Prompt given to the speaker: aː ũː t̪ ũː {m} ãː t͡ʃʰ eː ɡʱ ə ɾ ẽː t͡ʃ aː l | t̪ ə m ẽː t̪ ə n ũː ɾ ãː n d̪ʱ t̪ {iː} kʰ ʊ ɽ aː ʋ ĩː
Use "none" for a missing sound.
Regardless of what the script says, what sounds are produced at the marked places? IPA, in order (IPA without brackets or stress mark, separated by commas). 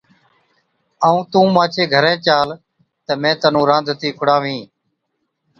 m, iː